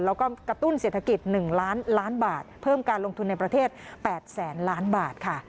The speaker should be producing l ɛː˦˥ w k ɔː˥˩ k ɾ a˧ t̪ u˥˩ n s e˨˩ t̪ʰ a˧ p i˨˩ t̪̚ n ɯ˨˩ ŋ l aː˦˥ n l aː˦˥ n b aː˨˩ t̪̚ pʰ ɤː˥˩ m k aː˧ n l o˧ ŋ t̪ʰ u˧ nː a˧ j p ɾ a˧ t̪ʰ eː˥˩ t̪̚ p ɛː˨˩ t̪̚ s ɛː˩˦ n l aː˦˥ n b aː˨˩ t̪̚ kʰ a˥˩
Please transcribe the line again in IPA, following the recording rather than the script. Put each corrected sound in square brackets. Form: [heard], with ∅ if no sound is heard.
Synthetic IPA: l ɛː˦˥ w k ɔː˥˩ k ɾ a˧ t̪ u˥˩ n s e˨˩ t̪ʰ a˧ [k] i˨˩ t̪̚ n ɯ˨˩ ŋ l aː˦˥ n l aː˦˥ n b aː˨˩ t̪̚ pʰ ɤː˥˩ m k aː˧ n l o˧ ŋ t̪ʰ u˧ nː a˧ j p ɾ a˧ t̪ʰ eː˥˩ t̪̚ p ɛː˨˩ t̪̚ s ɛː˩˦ n l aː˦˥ n b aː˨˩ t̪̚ kʰ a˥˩